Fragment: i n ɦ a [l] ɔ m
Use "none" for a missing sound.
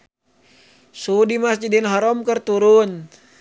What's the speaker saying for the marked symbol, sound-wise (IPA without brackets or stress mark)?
ɾ